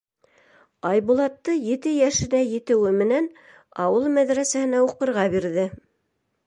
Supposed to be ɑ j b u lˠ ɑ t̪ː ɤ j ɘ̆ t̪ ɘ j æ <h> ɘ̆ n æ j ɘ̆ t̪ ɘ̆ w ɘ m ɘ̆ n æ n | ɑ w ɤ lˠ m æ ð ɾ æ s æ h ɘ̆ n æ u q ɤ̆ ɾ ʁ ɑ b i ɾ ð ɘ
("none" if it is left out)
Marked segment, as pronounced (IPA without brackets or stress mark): ʃ